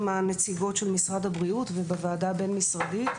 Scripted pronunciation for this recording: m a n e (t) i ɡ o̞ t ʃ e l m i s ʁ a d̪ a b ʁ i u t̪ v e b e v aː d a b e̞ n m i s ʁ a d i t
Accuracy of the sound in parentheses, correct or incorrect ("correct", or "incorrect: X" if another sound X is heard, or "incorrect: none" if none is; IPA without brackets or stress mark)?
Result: incorrect: t͡s